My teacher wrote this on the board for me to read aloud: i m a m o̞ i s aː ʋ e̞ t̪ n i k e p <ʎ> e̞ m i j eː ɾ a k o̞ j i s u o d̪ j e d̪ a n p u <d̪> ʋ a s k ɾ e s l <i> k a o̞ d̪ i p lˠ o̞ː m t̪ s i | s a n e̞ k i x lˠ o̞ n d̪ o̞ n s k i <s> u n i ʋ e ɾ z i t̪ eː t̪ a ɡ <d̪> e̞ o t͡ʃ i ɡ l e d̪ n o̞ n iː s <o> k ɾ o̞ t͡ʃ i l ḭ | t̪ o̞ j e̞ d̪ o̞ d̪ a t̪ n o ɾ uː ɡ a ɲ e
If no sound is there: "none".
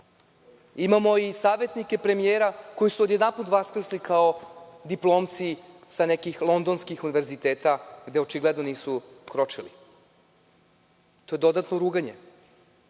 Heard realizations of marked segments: ɾ, t̪, i, x, d̪, u

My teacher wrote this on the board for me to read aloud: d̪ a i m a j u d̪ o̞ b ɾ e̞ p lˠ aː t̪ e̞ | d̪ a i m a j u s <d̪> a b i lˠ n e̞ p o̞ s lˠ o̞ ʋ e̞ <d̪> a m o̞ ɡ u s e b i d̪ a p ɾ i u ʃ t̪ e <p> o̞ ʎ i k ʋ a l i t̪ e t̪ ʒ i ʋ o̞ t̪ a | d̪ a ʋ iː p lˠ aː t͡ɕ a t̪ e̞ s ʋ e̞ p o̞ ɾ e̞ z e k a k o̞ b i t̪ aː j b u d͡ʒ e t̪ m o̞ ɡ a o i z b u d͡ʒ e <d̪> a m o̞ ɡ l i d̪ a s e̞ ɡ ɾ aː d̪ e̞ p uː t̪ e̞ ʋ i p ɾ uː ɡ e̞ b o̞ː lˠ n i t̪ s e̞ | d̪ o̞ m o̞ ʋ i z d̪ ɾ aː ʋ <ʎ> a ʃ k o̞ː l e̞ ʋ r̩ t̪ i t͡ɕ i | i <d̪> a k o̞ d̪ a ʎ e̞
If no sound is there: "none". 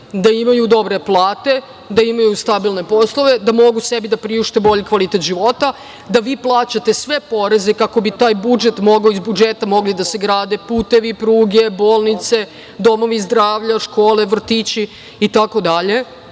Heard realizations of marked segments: t̪, d̪, b, t̪, ʎ, t̪

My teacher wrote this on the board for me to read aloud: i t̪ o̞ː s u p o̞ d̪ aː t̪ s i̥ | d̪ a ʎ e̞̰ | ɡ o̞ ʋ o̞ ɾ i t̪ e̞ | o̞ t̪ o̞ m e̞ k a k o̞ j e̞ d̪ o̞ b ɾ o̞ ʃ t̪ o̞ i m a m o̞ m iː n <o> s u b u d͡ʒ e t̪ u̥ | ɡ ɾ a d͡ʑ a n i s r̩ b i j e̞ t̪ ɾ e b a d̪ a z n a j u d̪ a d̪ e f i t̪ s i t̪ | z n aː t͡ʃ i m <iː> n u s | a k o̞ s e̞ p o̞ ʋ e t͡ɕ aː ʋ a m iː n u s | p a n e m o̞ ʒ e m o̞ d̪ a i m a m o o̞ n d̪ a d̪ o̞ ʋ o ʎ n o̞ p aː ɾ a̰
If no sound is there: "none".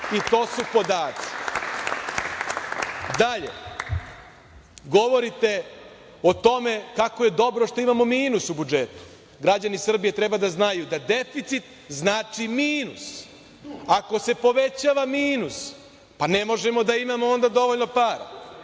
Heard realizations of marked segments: u, iː

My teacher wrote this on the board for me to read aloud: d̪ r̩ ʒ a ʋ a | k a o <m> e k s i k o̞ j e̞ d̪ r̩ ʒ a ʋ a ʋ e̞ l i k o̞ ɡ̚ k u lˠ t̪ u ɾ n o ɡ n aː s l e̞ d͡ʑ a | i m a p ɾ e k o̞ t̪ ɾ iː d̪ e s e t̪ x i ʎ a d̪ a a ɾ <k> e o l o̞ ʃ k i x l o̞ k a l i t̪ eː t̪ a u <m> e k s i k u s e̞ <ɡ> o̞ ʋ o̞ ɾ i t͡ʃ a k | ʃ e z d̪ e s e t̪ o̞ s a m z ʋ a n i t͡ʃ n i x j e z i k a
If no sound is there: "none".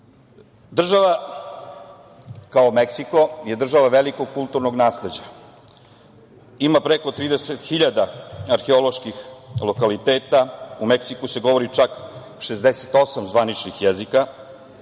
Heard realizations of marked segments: m, x, m, ɡ

